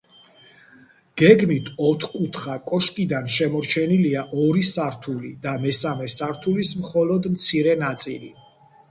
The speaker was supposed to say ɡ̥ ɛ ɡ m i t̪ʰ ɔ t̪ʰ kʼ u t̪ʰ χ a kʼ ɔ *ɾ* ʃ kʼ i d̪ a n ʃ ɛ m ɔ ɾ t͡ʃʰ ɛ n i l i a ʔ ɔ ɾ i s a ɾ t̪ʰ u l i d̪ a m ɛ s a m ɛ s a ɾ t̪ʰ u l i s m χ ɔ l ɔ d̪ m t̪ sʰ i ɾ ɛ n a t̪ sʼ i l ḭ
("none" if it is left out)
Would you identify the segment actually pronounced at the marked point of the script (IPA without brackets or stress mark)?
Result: none